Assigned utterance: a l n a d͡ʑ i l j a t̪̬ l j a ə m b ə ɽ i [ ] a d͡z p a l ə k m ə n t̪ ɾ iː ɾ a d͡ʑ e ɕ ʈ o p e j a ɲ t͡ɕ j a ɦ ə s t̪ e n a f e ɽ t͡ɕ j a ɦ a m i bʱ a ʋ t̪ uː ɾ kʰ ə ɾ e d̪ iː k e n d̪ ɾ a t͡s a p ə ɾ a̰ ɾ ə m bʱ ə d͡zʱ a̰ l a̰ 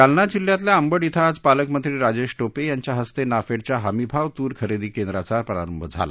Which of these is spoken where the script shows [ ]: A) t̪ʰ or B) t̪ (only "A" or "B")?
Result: A